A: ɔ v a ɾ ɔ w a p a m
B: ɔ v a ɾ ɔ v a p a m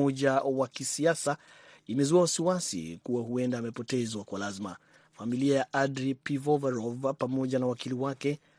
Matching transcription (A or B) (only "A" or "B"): B